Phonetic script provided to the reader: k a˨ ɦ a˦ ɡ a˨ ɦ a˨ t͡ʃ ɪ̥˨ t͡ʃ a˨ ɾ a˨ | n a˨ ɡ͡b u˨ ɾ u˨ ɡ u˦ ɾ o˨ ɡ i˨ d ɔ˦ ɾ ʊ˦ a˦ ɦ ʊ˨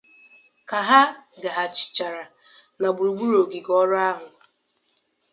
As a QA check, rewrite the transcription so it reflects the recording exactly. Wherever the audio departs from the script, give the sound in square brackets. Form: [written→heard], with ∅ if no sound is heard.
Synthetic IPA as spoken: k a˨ ɦ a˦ ɡ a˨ ɦ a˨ t͡ʃ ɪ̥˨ t͡ʃ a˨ ɾ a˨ | n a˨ ɡ͡b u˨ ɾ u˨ [ɡ→ɡ͡b] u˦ ɾ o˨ ɡ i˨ [d→ɡ] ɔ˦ ɾ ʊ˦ a˦ ɦ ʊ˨